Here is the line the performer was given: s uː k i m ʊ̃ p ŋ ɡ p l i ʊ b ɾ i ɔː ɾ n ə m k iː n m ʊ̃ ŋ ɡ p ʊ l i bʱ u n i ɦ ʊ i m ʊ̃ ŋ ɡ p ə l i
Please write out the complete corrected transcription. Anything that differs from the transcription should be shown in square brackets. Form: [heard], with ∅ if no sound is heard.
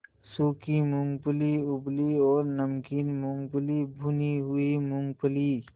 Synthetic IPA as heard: s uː k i m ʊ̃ [∅] ŋ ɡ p l i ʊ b [l] i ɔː ɾ n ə m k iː n m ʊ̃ ŋ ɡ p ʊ l i bʱ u n i ɦ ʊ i m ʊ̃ ŋ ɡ p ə l i